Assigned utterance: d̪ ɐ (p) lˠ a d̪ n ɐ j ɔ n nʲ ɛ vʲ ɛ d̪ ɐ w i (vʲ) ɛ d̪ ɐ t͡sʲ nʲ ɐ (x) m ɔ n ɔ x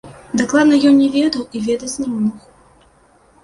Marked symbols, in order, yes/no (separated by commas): no, yes, no